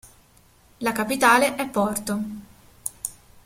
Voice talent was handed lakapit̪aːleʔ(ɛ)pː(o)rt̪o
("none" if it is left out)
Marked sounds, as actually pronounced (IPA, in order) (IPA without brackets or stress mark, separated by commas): ɛ, ɔ